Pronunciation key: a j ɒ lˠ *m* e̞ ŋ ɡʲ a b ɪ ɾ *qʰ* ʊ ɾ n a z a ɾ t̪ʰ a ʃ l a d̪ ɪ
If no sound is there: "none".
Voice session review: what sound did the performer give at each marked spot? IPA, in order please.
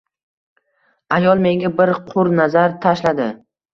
m, qʰ

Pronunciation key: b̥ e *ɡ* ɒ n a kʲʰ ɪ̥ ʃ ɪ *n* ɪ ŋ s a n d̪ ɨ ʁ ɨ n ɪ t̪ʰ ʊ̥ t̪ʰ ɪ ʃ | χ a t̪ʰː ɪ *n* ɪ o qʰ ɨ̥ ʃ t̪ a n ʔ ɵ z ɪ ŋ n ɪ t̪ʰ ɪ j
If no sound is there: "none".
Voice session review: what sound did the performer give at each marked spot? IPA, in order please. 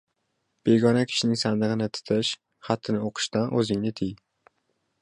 ɡ, n, n

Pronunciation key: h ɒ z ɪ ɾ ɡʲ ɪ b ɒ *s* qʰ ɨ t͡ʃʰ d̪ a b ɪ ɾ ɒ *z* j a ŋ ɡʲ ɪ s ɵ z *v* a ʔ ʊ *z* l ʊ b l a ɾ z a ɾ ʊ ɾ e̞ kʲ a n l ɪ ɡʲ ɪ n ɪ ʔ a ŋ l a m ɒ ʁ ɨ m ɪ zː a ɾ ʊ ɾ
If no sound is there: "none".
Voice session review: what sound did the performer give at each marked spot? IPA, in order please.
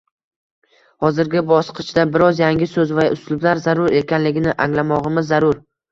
s, z, v, s

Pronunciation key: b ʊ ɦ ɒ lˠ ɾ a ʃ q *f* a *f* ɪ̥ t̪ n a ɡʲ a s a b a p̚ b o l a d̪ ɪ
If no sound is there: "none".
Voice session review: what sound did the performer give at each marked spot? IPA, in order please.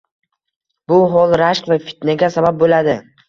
v, f

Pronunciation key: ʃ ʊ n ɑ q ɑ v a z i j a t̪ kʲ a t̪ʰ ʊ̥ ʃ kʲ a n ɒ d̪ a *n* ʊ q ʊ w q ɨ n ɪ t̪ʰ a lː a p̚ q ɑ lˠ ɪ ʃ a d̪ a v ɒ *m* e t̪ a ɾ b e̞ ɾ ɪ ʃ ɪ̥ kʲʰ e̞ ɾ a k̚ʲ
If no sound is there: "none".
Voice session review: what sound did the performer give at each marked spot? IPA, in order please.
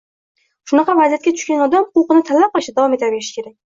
m, m

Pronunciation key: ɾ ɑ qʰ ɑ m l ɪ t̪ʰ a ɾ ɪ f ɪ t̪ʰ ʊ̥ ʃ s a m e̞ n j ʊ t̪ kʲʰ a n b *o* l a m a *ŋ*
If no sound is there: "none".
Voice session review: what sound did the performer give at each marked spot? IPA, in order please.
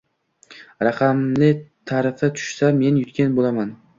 o, n

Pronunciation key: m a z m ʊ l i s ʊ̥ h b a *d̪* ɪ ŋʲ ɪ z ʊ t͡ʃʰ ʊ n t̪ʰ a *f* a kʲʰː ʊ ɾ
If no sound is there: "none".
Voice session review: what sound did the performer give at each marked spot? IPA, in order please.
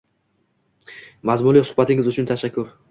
t̪, ʃ

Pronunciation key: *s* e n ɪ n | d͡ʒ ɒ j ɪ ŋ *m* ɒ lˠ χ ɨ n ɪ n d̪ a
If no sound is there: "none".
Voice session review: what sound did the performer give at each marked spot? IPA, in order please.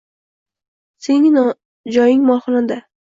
s, m

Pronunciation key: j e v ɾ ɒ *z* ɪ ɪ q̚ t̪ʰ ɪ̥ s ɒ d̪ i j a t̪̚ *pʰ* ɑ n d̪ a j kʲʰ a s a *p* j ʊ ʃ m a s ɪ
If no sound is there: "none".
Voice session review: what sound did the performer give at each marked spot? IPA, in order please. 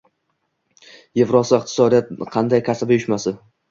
s, qʰ, b

